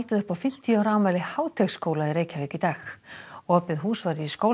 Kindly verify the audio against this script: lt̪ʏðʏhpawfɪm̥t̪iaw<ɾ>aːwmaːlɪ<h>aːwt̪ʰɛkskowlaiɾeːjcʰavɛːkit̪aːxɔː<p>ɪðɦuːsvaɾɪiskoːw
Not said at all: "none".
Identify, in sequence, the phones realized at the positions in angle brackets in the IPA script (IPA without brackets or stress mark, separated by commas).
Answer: ɾ, h, p